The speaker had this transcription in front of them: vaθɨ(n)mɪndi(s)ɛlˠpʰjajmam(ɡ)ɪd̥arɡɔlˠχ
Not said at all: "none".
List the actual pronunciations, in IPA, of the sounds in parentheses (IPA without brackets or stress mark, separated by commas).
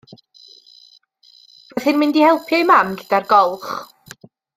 n, h, ɡ